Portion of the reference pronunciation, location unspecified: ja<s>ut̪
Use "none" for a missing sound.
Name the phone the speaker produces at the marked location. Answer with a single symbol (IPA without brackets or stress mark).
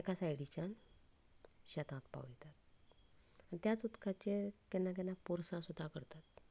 t͡s